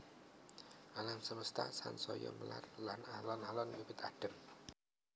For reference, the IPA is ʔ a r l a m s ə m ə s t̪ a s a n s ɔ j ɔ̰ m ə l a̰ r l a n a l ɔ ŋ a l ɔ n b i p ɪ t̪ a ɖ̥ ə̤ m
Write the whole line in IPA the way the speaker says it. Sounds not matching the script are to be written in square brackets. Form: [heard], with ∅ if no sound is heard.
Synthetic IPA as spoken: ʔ a [∅] l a m s ə m ə s t̪ a s a n s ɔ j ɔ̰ m ə l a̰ r l a n a l ɔ [n] a l ɔ n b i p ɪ t̪ a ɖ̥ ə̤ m